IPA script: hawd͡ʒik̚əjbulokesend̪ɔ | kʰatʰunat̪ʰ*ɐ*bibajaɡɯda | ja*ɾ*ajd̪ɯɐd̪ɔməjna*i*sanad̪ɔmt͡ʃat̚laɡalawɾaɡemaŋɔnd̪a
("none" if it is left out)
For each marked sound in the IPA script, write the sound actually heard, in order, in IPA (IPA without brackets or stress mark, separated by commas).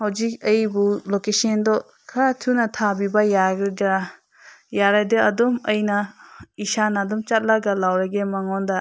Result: a, ɾ, i